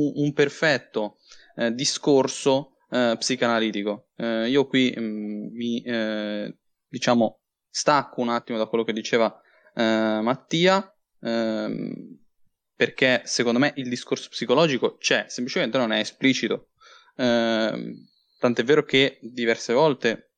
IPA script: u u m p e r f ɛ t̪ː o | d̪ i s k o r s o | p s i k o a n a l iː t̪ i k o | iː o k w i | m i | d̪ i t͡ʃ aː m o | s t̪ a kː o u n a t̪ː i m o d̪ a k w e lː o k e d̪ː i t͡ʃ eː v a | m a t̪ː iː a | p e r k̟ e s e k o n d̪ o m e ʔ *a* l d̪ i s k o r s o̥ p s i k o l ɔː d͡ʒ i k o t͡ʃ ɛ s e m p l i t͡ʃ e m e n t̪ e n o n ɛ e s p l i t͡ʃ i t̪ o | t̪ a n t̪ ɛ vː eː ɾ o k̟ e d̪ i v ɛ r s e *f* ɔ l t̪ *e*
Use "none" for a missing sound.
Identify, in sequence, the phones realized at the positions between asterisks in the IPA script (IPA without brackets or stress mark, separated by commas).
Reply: i, v, e